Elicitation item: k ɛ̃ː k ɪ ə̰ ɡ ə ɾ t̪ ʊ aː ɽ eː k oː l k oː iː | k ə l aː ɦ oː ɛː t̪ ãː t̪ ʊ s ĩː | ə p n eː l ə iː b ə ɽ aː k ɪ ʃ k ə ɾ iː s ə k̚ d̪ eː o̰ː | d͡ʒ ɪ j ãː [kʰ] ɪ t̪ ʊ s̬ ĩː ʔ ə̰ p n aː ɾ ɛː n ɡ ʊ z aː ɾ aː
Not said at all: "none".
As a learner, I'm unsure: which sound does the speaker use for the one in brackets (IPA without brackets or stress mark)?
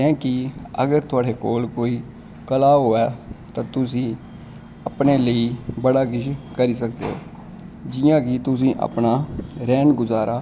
k